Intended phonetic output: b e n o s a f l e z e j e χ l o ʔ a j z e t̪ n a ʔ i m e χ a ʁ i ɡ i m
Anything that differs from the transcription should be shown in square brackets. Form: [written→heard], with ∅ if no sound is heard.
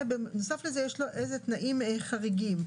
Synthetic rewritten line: b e n o s a f l e z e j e [χ→ʃ] l o ʔ [a→e] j z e t̪ n a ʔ i m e χ a ʁ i ɡ i m